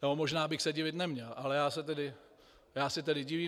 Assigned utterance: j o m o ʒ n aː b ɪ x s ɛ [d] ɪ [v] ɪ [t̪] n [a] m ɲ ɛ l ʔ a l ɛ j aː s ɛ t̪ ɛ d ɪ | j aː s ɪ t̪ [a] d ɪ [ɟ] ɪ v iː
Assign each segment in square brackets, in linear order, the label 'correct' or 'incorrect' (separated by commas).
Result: incorrect, correct, correct, incorrect, incorrect, correct